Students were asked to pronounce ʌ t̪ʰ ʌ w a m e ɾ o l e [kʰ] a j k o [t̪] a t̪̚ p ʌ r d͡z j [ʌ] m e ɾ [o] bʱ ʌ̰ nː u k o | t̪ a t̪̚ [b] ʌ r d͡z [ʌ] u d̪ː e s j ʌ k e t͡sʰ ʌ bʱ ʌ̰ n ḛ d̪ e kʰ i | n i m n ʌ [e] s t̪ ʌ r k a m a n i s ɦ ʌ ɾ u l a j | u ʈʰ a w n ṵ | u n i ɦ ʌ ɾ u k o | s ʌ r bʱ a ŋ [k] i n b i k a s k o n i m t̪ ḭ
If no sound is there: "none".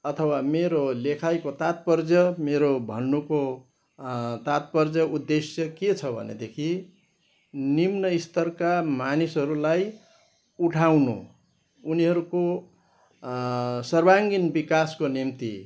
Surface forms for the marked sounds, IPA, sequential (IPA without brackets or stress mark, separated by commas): kʰ, t̪, ʌ, o, p, ʌ, i, ɡ